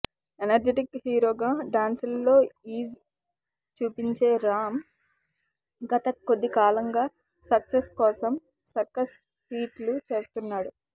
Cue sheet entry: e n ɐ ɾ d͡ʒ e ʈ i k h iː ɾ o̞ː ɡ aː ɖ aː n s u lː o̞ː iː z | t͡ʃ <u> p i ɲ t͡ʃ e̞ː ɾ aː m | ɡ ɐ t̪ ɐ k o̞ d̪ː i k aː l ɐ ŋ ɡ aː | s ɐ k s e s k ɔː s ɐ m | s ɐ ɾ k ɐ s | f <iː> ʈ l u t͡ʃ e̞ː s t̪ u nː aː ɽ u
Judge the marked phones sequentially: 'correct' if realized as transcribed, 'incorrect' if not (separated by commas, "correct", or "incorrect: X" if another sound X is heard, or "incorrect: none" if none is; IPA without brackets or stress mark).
incorrect: uː, correct